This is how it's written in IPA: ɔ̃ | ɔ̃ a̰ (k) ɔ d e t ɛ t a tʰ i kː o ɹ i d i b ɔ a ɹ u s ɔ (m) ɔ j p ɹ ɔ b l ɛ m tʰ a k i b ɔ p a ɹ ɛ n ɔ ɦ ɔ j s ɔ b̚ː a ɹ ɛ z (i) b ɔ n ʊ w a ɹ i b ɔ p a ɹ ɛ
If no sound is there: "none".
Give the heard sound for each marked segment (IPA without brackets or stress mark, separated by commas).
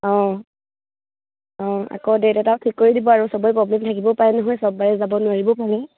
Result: k, b, a